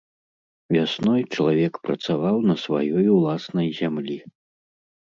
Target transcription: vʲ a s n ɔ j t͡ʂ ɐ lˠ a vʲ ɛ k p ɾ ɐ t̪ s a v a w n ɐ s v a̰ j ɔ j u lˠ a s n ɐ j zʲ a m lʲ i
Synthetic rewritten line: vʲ a s n ɔ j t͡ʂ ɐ lˠ a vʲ ɛ k p ɾ ɐ t̪ s a v a w n ɐ s v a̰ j ɔ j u lˠ a s n ɐ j zʲ a m lʲ i